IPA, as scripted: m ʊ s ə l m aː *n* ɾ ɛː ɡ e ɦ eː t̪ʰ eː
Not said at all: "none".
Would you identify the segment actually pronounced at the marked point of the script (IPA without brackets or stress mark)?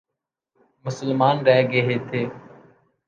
n